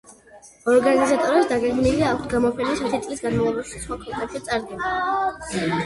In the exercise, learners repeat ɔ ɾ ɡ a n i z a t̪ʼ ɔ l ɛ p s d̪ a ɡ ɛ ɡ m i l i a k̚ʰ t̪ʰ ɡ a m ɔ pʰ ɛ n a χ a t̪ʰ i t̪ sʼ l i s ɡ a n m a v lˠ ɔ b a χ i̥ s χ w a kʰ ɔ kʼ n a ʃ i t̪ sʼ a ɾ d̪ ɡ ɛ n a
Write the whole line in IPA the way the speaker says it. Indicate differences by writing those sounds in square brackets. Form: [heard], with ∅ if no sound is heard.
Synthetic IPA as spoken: ɔ ɾ ɡ a n i z a t̪ʼ ɔ [ɾ] ɛ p s d̪ a ɡ ɛ ɡ m i l i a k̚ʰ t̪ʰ ɡ a m ɔ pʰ ɛ n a [s] a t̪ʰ i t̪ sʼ l i s ɡ a n m a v lˠ ɔ b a [ʃ] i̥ s χ w a kʰ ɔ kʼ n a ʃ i t̪ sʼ a ɾ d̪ ɡ ɛ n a